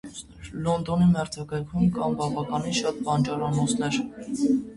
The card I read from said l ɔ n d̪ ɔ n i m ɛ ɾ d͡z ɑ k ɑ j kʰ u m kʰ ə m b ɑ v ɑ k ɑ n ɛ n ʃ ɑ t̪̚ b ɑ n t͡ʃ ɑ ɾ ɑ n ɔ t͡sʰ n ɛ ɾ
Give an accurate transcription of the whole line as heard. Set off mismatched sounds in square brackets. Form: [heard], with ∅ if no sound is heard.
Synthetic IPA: l ɔ n d̪ ɔ n i m ɛ ɾ d͡z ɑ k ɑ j kʰ u m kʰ [ɑ] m b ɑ v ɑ k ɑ n [i] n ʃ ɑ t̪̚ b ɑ n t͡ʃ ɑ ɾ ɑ n ɔ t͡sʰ n ɛ ɾ